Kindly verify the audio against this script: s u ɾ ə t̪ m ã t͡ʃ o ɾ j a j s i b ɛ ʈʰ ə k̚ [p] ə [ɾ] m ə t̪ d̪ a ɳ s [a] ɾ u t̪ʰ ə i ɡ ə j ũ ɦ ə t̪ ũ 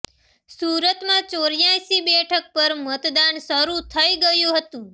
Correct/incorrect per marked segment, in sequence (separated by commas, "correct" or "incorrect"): correct, correct, incorrect